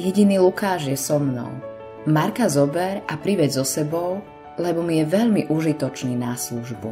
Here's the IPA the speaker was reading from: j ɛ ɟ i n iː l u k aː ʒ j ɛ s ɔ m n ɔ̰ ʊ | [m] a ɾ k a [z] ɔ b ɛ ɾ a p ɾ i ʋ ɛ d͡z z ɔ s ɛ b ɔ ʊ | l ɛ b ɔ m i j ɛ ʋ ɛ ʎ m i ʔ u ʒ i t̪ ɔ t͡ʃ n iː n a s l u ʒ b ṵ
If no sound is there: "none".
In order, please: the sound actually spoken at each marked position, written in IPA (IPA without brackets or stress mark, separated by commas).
m, z